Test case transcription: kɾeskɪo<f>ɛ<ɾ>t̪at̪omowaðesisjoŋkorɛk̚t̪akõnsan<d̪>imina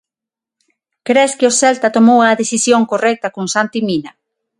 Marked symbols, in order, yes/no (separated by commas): no, no, no